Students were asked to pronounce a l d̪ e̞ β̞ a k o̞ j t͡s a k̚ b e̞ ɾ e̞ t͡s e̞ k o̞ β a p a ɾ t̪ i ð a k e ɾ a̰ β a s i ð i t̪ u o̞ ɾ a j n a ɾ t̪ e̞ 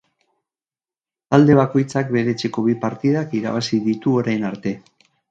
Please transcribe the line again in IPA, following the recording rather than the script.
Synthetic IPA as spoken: a l d̪ e̞ β̞ a k o̞ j t͡s a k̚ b e̞ ɾ e̞ t͡s e̞ k o̞ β i p a ɾ t̪ i ð a k i ɾ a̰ β a s i ð i t̪ u o̞ ɾ a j n a ɾ t̪ e̞